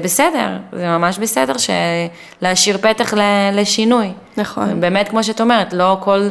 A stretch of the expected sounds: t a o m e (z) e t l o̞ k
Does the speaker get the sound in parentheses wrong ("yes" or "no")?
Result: yes